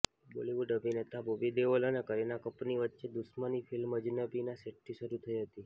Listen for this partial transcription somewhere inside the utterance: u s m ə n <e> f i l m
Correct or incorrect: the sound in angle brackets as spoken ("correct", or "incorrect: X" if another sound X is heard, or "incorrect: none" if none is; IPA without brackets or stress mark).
incorrect: i